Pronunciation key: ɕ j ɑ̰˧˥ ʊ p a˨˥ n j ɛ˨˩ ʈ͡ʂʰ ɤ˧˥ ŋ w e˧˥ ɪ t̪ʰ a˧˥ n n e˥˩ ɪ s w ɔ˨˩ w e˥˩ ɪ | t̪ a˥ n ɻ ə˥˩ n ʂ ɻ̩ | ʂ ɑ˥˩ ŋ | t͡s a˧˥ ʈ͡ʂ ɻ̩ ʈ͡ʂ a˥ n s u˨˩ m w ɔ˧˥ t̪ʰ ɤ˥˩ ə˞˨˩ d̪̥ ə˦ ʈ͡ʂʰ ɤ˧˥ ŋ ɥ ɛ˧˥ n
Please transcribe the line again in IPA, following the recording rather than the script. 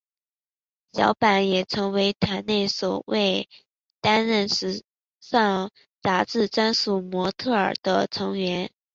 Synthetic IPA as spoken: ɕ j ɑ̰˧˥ ʊ p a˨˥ n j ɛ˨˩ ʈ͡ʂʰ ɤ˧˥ ŋ w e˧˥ ɪ t̪ʰ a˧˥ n n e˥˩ ɪ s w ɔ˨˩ w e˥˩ ɪ | t̪ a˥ n ɻ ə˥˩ n ʂ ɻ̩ | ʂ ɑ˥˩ ŋ | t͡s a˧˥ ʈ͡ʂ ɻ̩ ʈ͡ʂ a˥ n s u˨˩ m w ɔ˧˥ t̪ʰ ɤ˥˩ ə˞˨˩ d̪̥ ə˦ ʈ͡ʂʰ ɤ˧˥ ŋ ɥ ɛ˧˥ n

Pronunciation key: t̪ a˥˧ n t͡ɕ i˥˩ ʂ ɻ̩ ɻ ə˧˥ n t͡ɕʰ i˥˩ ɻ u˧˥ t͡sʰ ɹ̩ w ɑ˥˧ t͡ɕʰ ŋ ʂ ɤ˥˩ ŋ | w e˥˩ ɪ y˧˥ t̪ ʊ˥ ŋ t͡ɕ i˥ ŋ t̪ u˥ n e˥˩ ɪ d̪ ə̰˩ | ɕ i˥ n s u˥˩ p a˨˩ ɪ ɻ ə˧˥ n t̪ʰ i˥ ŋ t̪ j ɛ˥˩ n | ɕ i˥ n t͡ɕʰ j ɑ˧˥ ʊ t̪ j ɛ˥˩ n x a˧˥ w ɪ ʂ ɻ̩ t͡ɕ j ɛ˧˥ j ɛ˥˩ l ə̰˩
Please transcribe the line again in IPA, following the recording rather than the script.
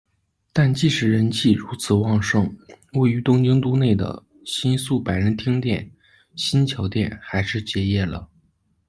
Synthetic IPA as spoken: t̪ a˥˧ n t͡ɕ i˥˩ ʂ ɻ̩ ɻ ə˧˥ n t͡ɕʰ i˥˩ ɻ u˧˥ t͡sʰ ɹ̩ w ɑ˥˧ ŋ ʂ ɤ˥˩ ŋ | w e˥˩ ɪ y˧˥ t̪ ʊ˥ ŋ t͡ɕ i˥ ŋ t̪ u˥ n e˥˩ ɪ d̪ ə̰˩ | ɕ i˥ n s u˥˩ p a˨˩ ɪ ɻ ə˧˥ n t̪ʰ i˥ ŋ t̪ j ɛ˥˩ n | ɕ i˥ n t͡ɕʰ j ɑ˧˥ ʊ t̪ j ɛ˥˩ n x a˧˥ ɪ ʂ ɻ̩ t͡ɕ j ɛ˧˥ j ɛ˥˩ l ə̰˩

